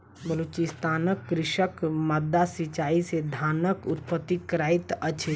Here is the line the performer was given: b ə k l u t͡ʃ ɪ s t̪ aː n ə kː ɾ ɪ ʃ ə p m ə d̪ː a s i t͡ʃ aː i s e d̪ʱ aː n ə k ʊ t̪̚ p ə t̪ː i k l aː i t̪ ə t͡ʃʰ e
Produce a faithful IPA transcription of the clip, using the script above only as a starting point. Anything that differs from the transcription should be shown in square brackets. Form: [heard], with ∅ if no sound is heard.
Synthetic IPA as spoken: b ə [∅] l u t͡ʃ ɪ s t̪ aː n ə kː ɾ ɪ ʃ ə [k] m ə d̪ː a s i t͡ʃ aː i s e d̪ʱ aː n ə k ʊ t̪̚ p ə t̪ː i k [ɾ] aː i t̪ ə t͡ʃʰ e